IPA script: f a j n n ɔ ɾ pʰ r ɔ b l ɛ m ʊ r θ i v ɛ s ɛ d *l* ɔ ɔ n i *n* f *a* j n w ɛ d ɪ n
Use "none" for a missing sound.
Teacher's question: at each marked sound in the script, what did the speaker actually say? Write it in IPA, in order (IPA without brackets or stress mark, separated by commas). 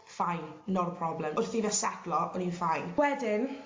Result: l, n, a